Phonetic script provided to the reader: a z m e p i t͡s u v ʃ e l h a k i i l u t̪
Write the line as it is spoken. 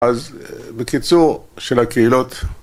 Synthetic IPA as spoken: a z b e k i t͡s u ʁ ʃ e l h a k e i l o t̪